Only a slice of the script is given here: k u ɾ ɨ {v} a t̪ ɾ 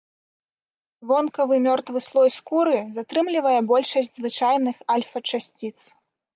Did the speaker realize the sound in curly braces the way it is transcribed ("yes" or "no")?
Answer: no